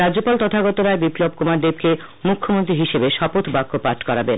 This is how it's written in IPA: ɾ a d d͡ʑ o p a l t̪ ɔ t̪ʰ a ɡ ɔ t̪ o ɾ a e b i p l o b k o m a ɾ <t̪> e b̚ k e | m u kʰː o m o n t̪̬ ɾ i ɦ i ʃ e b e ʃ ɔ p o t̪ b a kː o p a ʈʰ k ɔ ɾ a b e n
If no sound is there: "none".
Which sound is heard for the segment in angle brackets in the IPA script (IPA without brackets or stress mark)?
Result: d̪